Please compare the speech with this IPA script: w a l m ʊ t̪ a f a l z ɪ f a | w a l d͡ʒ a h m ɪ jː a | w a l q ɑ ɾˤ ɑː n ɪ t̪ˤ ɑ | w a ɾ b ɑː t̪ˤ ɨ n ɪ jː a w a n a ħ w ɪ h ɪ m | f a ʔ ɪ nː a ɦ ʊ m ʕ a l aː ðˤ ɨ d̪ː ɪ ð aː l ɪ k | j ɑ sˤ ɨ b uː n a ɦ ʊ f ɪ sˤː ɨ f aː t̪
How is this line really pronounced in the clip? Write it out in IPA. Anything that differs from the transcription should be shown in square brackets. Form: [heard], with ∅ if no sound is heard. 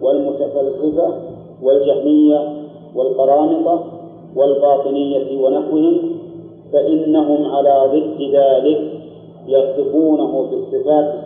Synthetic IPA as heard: w a l m ʊ t̪ a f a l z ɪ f a | w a l d͡ʒ a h m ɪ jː a | w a l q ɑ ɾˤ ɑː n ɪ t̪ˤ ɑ | w a [l] b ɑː t̪ˤ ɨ n ɪ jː a w a n a ħ w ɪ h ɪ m | f a ʔ ɪ nː a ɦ ʊ m ʕ a l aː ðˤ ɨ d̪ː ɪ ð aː l ɪ k | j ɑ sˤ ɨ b uː n a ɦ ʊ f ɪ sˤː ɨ f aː t̪